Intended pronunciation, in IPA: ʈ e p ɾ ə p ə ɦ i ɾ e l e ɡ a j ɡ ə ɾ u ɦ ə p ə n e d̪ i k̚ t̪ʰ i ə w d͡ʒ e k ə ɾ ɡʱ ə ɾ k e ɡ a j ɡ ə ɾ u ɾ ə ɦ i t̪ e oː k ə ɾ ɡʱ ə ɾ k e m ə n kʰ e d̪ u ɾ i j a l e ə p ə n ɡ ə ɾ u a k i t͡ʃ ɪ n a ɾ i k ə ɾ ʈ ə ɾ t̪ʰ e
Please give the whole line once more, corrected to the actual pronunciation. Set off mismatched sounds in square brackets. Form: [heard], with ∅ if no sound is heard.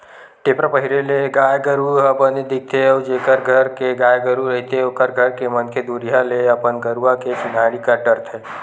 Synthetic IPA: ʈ e p ɾ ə p ə ɦ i ɾ e l e ɡ a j ɡ ə ɾ u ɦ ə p ə n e d̪ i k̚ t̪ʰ [e] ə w d͡ʒ e k ə ɾ ɡʱ ə ɾ k e ɡ a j ɡ ə ɾ u ɾ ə ɦ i t̪ e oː k ə ɾ ɡʱ ə ɾ k e m ə n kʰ e d̪ u ɾ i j a l e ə p ə n ɡ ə ɾ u a k [e] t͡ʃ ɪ n a ɾ i k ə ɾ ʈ ə ɾ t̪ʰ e